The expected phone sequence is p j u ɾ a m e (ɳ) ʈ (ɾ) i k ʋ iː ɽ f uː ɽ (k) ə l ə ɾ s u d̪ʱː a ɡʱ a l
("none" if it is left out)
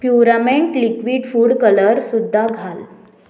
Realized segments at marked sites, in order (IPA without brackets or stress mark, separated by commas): ɳ, l, k